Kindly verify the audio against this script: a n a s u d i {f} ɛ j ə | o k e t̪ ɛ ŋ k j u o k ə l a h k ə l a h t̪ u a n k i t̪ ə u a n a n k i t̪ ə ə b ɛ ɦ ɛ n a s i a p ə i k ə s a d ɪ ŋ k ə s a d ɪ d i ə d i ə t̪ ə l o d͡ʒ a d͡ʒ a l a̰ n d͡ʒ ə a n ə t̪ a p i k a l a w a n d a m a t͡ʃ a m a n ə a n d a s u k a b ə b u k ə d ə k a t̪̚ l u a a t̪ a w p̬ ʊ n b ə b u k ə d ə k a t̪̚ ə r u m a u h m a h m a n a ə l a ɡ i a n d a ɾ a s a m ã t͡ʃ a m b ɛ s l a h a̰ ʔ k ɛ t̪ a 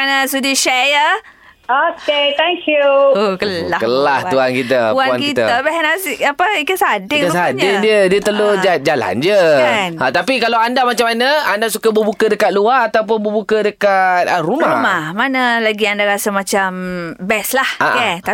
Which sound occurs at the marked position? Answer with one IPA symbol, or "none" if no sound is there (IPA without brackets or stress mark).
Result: ʃ